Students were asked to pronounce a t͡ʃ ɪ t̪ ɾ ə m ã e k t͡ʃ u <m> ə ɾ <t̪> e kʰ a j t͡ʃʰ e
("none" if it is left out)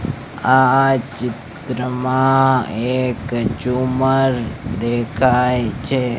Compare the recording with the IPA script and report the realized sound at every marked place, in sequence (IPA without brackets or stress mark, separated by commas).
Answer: m, d̪